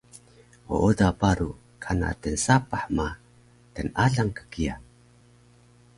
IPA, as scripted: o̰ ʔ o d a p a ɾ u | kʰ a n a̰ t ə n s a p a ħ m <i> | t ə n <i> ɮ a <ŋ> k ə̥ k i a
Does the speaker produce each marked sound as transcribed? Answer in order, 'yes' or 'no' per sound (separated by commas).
no, no, yes